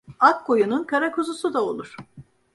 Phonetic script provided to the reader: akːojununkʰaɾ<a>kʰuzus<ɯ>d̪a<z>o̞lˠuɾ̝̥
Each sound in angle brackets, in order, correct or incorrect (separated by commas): correct, incorrect, incorrect